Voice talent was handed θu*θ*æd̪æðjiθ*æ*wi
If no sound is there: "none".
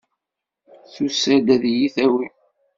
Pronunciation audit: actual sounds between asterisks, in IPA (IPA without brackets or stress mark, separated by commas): s, æ